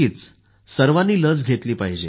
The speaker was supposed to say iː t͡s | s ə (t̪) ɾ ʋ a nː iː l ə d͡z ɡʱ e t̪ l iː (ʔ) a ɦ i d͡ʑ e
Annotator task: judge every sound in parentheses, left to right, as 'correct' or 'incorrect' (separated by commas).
incorrect, incorrect